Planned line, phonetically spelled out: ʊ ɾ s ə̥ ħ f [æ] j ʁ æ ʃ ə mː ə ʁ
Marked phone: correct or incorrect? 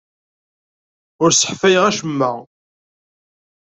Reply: correct